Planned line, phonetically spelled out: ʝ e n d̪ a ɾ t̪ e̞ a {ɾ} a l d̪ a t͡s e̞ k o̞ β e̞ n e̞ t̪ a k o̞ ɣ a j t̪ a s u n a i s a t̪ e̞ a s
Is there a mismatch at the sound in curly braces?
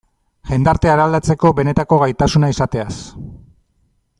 no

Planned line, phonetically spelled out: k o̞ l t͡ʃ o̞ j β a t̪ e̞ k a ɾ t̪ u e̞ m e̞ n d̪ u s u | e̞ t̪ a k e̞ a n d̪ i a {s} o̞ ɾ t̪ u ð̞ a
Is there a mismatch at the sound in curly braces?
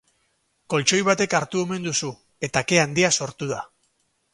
no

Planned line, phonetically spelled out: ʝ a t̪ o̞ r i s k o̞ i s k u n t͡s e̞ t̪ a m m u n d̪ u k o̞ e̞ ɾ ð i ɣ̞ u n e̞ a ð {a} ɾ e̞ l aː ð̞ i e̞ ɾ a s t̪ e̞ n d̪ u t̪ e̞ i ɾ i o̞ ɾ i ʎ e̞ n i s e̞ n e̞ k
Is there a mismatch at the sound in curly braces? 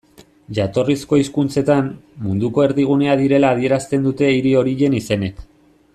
yes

